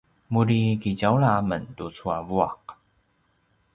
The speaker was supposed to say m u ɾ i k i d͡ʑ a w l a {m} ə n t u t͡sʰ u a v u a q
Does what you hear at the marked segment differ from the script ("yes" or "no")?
no